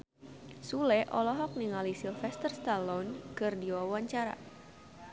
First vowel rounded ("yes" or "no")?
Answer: yes